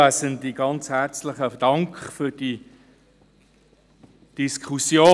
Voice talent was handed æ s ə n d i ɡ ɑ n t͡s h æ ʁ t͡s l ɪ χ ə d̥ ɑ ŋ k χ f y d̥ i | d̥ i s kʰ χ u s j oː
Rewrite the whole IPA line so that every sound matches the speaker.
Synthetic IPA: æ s ə n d i ɡ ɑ n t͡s h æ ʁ t͡s l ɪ χ ə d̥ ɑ ŋ k χ f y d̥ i | d̥ i s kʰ χ u s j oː